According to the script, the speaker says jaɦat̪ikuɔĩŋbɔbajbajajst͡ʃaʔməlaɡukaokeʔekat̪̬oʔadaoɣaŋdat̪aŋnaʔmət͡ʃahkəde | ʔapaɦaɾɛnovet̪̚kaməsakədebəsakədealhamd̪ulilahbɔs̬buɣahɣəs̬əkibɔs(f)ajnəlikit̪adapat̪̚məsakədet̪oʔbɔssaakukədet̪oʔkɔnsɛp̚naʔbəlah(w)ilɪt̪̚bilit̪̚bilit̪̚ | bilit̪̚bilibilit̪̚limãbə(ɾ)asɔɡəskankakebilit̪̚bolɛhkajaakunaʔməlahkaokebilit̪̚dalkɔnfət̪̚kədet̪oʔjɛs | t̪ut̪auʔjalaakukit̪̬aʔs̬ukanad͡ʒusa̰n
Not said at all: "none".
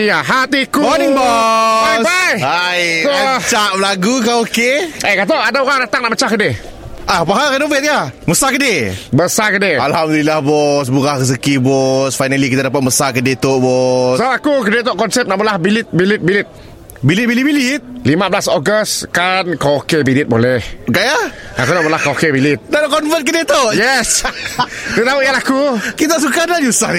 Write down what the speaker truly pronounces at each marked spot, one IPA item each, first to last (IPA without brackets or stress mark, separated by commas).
f, b, l